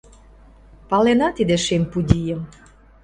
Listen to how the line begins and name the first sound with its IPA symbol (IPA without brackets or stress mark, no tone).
p